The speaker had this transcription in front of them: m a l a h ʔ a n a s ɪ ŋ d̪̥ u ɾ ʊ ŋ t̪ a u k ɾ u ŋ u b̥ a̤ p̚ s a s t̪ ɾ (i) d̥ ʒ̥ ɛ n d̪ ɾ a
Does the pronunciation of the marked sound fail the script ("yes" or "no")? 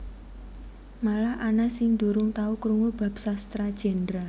yes